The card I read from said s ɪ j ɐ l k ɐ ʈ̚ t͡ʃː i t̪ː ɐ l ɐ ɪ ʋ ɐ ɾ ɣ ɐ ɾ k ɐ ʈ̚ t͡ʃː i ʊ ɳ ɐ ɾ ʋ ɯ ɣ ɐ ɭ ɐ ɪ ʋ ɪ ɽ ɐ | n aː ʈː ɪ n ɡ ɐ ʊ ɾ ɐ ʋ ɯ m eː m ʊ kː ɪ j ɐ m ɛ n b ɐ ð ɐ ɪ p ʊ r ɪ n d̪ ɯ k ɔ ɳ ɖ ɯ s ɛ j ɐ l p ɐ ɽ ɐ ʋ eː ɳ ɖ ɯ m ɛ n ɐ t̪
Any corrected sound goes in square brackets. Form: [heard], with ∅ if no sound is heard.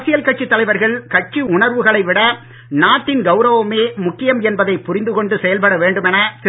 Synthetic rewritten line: s ɪ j ɐ l k ɐ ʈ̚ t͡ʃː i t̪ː ɐ l ɐ ɪ ʋ ɐ ɾ ɣ ɐ [ɭ] k ɐ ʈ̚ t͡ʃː i ʊ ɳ ɐ ɾ ʋ ɯ ɣ ɐ ɭ ɐ ɪ ʋ ɪ ɽ ɐ | n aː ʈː ɪ n ɡ ɐ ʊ ɾ ɐ ʋ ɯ m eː m ʊ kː ɪ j ɐ m ɛ n b ɐ ð ɐ ɪ p ʊ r ɪ n d̪ ɯ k ɔ ɳ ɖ ɯ s ɛ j ɐ l p ɐ ɽ ɐ ʋ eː ɳ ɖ ɯ m ɛ n ɐ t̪